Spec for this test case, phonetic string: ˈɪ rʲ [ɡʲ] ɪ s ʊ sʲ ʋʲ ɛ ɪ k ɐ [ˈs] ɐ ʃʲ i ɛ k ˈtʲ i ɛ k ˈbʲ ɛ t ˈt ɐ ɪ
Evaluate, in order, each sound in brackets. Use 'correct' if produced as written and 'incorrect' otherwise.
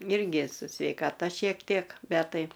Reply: correct, incorrect

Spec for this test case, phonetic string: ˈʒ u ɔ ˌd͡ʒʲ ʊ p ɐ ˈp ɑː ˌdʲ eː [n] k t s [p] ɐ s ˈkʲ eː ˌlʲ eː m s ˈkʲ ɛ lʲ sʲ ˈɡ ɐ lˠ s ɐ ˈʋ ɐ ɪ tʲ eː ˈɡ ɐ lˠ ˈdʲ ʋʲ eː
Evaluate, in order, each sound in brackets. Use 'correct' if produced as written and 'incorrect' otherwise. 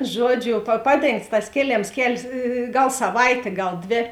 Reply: incorrect, incorrect

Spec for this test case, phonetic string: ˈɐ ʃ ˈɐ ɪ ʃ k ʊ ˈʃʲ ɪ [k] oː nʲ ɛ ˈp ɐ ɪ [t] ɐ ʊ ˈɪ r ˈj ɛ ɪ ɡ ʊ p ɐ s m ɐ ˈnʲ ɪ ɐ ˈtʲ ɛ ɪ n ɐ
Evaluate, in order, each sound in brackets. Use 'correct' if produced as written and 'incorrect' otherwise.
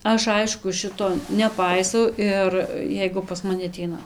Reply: incorrect, incorrect

